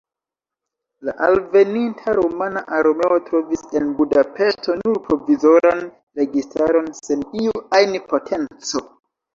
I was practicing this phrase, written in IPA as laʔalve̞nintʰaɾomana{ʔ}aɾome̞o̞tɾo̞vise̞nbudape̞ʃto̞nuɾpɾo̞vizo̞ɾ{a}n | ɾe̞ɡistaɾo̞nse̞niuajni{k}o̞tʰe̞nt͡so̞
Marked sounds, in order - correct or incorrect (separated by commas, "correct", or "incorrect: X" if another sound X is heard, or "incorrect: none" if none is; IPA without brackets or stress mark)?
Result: correct, correct, incorrect: p